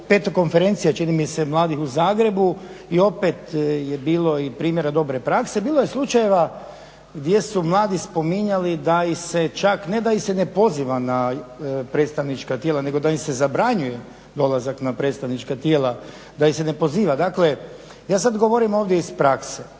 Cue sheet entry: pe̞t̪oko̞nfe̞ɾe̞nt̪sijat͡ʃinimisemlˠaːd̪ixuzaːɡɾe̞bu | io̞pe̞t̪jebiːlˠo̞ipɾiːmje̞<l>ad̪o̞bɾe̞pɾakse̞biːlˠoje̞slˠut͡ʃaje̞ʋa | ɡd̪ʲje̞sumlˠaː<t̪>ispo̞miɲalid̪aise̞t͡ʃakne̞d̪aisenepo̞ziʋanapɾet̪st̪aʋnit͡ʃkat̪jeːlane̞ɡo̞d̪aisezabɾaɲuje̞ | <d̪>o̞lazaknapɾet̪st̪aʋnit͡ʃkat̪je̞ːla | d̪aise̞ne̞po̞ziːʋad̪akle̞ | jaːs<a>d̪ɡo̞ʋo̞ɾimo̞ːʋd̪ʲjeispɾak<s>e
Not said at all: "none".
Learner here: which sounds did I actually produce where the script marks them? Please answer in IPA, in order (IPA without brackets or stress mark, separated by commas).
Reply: ɾ, d̪, d̪, a, s